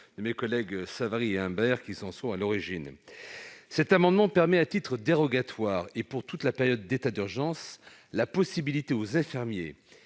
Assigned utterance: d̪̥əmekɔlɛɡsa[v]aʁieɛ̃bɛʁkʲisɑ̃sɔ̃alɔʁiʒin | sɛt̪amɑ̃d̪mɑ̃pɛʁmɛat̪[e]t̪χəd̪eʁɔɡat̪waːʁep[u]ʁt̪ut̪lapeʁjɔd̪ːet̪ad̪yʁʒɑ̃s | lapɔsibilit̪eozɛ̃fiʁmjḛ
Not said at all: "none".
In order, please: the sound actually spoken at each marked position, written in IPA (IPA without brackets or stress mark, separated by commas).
v, i, u